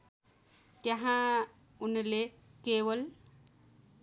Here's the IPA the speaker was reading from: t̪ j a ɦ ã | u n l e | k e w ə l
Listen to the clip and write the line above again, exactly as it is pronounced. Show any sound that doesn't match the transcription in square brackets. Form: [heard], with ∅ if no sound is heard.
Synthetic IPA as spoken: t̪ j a ɦ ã | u n l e | k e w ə l